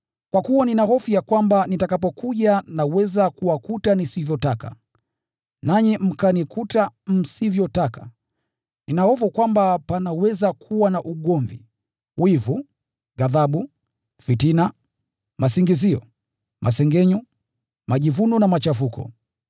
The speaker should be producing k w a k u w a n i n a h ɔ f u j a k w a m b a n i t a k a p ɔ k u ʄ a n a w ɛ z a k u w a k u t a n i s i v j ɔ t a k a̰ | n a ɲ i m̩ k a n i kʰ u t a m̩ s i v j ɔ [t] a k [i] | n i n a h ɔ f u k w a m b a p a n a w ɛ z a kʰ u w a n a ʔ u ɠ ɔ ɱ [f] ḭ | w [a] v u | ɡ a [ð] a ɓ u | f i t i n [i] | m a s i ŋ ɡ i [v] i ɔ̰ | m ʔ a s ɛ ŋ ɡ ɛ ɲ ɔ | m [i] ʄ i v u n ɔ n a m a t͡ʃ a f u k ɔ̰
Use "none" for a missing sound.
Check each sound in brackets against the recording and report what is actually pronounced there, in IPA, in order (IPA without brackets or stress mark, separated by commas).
t, a, v, i, ð, a, z, a